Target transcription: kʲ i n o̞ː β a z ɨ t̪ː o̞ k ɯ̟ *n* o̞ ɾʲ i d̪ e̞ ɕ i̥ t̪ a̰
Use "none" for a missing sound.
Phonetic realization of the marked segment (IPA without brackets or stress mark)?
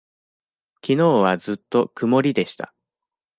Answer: m